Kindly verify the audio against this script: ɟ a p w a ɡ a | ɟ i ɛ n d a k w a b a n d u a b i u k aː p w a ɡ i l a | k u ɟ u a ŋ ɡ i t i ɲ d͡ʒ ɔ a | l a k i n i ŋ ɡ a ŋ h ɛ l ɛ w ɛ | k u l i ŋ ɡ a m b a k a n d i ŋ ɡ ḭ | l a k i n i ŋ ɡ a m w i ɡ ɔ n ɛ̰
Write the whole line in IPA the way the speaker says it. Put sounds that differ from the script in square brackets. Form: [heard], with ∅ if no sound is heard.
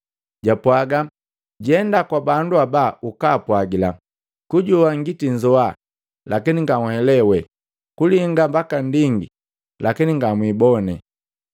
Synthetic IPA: ɟ a p w a ɡ a | ɟ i ɛ n d a k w a b a n d u a b [a] u k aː p w a ɡ i l a | k u ɟ u a ŋ ɡ i t i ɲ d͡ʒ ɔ a | l a k i n i ŋ ɡ a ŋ h ɛ l ɛ w ɛ | k u l i ŋ ɡ a m b a k a n d i ŋ ɡ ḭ | l a k i n i ŋ ɡ a m w i [b] ɔ n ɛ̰